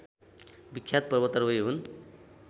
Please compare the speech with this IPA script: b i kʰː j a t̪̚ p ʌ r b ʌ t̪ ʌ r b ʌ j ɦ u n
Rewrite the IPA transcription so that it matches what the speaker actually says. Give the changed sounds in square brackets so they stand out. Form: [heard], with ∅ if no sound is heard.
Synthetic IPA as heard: b i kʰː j a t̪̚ p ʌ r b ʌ t̪ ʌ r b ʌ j ɦ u n